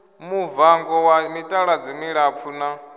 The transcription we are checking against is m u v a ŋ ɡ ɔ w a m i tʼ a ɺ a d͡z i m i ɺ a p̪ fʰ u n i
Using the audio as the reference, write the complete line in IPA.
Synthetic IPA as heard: m u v a ŋ ɡ ɔ w a m i tʼ a ɺ a d͡z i m i ɺ a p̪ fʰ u n a